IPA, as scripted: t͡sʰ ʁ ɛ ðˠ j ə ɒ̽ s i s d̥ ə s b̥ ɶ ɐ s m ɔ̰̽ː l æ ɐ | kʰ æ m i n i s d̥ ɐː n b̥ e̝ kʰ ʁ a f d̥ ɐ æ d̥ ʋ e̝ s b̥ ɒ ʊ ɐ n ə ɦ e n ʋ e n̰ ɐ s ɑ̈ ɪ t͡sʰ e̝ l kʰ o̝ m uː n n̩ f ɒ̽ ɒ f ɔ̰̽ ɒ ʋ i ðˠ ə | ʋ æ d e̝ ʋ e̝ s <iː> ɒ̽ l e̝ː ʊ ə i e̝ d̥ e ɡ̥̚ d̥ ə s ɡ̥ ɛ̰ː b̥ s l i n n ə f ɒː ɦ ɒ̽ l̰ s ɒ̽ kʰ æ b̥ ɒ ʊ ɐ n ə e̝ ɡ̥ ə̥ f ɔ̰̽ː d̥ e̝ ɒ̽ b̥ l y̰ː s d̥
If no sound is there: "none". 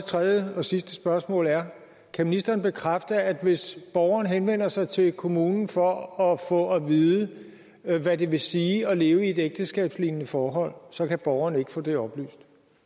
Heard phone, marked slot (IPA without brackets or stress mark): iː